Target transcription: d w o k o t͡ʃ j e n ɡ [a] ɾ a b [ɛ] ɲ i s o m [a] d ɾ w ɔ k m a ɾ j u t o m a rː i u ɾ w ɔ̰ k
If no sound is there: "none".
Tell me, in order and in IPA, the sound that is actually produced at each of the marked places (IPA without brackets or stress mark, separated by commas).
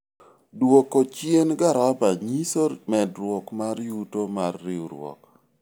a, a, ɛ